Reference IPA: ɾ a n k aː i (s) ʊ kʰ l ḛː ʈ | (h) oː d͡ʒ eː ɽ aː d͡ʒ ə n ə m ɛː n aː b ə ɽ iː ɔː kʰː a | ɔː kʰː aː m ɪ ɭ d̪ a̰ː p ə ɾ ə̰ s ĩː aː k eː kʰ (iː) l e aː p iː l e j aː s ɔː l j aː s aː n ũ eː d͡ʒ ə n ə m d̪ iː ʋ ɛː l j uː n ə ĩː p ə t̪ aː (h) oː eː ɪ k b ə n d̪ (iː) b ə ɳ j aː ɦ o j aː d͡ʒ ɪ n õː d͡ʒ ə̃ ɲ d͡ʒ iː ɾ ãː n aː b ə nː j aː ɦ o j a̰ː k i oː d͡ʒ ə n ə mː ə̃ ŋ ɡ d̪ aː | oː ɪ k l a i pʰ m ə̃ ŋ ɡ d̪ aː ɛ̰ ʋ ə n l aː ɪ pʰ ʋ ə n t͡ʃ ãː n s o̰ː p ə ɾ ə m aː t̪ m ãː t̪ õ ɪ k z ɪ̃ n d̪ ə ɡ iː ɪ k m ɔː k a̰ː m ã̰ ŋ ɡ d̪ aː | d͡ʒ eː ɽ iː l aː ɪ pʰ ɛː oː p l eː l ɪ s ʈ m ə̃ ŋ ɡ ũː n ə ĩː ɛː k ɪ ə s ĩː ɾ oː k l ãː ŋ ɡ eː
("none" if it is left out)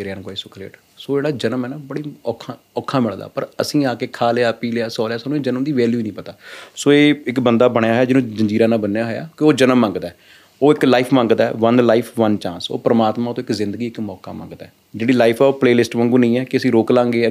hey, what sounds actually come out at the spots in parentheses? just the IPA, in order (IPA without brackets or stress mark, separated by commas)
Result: s, s, aː, s, aː